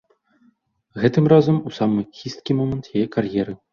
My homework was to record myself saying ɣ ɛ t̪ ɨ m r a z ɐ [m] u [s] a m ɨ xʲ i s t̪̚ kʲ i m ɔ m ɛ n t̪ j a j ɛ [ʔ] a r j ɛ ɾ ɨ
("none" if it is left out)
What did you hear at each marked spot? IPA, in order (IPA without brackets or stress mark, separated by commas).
m, s, k